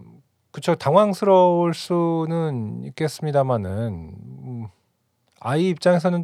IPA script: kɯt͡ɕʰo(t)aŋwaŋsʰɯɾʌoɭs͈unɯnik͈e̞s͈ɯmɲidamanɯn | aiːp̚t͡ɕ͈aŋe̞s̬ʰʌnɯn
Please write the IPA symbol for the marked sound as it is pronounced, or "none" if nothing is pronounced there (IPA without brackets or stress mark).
t